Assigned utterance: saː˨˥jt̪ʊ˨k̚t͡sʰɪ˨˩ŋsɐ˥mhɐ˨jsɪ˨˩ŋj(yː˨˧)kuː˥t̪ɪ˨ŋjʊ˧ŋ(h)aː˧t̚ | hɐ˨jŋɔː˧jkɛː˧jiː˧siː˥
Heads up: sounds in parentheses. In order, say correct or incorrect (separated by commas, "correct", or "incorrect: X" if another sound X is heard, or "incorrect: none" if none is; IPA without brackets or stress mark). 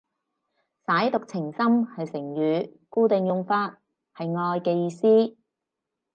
correct, incorrect: f